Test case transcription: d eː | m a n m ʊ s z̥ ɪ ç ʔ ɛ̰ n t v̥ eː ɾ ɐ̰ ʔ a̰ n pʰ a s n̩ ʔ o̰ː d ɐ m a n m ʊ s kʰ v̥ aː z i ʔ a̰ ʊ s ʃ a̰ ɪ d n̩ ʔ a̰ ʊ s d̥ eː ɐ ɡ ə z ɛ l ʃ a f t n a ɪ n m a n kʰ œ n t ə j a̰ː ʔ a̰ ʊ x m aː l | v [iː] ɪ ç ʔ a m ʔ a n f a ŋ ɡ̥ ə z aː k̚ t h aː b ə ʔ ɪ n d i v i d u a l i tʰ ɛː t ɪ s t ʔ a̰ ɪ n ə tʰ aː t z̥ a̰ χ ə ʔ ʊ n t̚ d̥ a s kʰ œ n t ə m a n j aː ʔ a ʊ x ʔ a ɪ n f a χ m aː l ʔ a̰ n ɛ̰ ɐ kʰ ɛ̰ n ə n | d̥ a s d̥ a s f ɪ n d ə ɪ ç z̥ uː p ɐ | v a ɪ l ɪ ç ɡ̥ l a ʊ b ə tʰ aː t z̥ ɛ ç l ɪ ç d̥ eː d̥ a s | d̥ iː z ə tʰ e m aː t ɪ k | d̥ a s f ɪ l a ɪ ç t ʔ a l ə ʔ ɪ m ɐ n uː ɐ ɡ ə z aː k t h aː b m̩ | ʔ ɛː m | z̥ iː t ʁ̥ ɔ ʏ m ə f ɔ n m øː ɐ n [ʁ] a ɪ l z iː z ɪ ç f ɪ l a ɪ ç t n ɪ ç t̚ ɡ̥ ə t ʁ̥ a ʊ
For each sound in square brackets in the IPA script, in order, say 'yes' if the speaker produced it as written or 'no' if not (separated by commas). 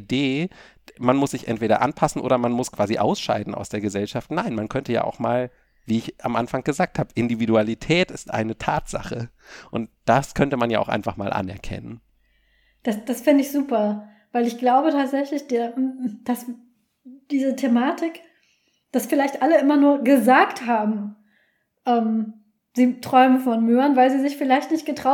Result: yes, no